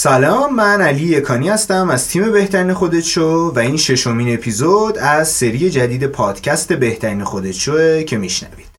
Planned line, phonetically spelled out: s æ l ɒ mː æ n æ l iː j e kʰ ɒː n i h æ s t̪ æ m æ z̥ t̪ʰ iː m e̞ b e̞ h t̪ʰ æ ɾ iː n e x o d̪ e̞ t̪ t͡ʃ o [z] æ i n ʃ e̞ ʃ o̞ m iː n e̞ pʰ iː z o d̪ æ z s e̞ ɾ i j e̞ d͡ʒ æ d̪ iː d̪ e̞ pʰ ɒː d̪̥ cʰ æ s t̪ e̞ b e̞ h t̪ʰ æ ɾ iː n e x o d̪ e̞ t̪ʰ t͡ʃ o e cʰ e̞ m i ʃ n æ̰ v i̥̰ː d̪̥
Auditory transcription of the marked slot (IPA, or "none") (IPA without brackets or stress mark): v